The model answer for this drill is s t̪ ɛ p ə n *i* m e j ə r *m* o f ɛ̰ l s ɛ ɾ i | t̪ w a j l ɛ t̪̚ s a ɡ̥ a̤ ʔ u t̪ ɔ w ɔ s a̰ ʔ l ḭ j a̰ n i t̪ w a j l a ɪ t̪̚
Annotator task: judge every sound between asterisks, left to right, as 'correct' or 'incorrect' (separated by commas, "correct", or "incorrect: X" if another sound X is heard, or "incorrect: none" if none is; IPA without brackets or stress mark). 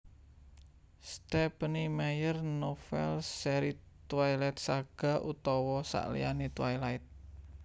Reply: correct, incorrect: n